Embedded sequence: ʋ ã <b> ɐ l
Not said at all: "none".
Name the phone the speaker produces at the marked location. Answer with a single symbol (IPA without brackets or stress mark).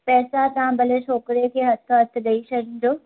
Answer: b